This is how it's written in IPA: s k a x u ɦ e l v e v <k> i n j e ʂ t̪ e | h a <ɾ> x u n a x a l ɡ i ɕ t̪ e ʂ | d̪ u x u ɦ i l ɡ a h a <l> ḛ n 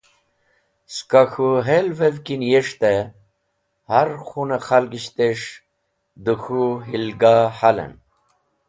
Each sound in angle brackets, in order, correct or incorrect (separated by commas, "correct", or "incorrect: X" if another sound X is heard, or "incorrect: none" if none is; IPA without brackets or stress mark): correct, correct, correct